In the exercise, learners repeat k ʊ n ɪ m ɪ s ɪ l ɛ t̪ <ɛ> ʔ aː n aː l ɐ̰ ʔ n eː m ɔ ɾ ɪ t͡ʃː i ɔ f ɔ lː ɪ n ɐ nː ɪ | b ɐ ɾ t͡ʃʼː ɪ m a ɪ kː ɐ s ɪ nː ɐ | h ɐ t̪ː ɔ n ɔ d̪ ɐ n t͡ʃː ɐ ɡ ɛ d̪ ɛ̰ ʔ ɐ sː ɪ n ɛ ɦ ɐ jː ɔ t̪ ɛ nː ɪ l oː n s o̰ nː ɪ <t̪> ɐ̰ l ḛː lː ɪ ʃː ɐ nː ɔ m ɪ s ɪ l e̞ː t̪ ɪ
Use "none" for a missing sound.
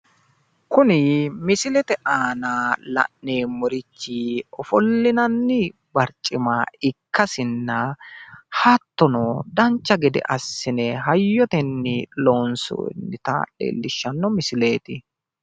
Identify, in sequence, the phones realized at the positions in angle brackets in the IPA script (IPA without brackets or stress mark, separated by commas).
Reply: ɛ, t̪